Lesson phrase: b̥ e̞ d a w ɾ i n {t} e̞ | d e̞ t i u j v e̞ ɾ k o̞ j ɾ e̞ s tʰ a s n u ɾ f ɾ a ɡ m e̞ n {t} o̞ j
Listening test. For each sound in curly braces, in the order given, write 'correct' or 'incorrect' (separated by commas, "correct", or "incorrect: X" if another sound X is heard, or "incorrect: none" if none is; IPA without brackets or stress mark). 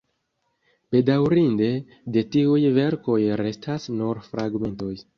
incorrect: d, correct